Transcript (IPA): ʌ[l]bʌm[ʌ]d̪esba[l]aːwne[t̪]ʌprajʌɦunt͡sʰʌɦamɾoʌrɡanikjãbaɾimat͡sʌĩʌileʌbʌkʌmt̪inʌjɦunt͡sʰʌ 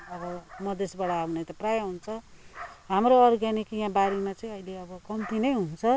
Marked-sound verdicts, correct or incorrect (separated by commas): incorrect, correct, incorrect, correct